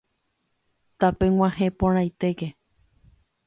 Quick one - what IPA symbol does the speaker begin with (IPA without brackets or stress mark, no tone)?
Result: t̪